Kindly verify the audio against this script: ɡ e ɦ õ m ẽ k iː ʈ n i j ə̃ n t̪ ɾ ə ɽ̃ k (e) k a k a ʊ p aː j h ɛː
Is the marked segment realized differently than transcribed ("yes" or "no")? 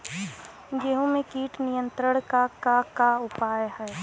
yes